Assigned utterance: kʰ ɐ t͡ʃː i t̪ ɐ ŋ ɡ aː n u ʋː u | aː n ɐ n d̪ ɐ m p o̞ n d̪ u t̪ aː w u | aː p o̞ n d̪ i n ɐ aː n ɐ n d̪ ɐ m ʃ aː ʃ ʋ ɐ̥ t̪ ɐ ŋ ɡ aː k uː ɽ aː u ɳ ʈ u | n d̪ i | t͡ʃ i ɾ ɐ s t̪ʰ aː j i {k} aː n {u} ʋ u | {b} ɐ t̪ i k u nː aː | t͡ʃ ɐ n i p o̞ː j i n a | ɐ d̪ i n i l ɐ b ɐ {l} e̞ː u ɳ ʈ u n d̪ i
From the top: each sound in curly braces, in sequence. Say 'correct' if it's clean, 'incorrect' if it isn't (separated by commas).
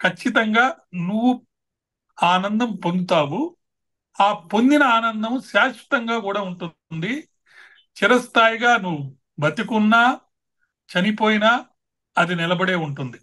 incorrect, correct, correct, incorrect